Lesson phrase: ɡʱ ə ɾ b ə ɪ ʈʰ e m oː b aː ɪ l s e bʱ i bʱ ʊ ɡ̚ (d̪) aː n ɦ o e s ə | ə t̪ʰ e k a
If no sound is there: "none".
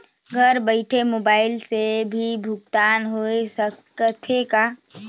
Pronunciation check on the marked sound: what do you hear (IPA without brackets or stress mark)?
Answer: t̪